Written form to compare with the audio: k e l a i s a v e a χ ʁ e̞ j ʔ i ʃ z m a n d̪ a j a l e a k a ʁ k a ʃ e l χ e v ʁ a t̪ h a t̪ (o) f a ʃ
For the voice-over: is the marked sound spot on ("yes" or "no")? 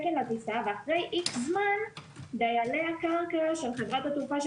no